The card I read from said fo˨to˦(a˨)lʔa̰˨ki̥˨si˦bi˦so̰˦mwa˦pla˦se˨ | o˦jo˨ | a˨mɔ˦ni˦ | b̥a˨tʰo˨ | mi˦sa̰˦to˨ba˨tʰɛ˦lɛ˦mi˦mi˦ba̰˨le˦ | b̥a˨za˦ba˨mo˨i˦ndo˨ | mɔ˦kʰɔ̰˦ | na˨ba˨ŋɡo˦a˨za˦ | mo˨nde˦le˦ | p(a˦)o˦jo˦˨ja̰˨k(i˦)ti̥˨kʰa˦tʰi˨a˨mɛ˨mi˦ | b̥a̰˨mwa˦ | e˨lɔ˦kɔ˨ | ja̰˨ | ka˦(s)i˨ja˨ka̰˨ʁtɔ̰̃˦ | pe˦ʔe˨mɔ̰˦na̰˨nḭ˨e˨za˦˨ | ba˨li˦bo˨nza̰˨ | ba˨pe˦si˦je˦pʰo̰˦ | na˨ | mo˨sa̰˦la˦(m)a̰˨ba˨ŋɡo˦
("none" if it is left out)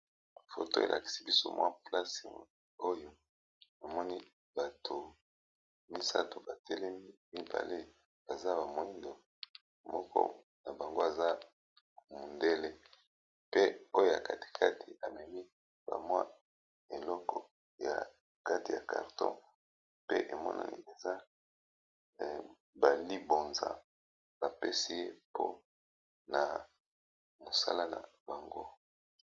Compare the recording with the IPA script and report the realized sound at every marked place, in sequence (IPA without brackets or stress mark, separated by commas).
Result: e˨, e˦, a˦, t, n